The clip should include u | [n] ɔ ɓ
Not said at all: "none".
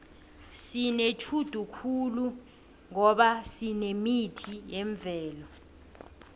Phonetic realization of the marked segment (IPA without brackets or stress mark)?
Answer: ŋ